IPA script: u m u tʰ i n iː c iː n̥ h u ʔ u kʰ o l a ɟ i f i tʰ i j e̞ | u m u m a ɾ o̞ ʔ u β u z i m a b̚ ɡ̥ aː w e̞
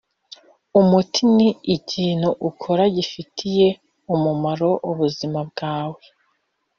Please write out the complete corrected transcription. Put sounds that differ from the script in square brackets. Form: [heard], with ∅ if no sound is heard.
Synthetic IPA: u m u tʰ i n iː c iː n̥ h u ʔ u kʰ o [ɾ] a ɟ i f i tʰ i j e̞ | u m u m a ɾ o̞ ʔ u β u z i m a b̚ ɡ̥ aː w e̞